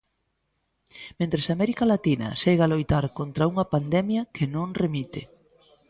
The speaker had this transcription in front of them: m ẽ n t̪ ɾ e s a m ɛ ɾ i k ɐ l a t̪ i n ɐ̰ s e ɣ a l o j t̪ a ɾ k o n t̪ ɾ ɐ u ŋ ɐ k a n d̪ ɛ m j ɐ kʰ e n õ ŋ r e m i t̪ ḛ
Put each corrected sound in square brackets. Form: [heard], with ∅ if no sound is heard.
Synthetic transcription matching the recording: m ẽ n t̪ ɾ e s a m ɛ ɾ i k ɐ l a t̪ i n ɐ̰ s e ɣ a l o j t̪ a ɾ k o n t̪ ɾ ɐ u ŋ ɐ [p] a n d̪ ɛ m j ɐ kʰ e n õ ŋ r e m i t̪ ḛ